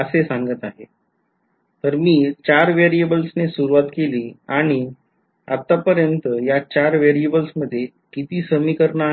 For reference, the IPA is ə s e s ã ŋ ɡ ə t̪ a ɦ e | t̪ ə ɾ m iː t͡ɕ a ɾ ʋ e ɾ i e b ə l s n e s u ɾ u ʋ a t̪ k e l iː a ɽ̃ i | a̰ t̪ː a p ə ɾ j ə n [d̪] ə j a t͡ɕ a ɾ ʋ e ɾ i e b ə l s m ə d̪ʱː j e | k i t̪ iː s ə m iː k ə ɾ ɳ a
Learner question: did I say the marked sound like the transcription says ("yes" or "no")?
no